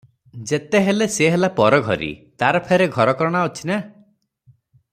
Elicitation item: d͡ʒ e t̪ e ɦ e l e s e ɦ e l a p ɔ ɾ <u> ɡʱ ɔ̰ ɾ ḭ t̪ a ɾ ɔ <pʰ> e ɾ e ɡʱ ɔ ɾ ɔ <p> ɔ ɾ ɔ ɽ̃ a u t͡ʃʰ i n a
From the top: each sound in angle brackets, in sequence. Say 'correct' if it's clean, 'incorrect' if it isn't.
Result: incorrect: ɔ, correct, incorrect: k

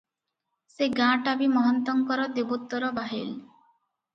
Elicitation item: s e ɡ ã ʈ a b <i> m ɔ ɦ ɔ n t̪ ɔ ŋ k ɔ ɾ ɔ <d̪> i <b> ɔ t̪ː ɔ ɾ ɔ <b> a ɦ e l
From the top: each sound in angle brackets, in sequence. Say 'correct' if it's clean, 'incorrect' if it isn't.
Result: correct, correct, correct, correct

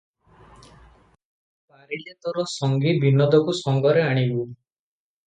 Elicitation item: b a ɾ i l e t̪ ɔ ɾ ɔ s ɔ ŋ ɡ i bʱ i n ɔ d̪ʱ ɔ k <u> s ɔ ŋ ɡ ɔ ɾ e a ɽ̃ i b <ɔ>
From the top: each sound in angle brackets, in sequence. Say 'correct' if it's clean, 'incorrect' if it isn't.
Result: correct, incorrect: u

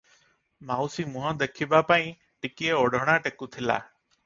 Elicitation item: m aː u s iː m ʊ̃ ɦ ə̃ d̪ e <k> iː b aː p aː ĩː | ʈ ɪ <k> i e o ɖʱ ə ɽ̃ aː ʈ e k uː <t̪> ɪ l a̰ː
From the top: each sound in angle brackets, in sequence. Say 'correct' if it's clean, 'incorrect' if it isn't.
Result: incorrect: kʰ, correct, incorrect: t̪ʰ

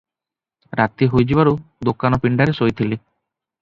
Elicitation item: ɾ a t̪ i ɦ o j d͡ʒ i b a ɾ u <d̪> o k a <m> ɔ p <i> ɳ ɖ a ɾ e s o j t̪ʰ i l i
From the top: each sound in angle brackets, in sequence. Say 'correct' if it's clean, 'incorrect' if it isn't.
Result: correct, incorrect: n, correct

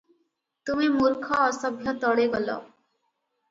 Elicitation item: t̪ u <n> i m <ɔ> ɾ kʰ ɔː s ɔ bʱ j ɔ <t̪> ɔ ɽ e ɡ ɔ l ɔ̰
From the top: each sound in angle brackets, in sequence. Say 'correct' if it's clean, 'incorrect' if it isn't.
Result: incorrect: m, incorrect: u, correct

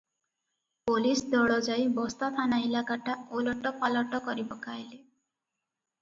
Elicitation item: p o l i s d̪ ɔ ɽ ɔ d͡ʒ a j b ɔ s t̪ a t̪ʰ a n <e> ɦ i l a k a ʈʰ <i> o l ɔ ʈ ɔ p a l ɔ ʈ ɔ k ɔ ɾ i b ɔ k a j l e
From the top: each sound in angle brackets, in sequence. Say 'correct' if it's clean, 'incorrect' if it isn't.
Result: incorrect: a, incorrect: a

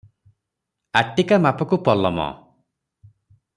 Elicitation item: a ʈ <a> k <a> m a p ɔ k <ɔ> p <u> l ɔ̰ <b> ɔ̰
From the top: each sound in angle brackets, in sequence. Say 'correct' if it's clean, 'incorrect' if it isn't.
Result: incorrect: i, correct, incorrect: u, incorrect: ɔ, incorrect: m

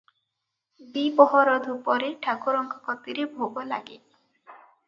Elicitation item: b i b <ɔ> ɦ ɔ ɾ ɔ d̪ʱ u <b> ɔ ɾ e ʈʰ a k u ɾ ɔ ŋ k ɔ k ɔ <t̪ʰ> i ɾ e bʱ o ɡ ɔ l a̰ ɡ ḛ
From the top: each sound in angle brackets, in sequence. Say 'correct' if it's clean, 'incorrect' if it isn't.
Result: correct, incorrect: p, incorrect: t̪

